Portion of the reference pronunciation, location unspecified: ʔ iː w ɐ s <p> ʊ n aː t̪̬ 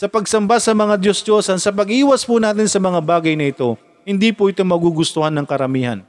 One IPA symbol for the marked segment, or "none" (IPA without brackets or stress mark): p